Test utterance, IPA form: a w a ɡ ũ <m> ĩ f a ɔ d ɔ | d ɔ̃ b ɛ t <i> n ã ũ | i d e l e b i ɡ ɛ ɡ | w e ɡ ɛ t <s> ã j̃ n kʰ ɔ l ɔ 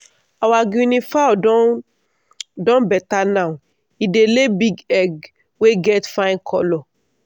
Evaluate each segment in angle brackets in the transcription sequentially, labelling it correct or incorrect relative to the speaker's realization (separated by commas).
incorrect, incorrect, incorrect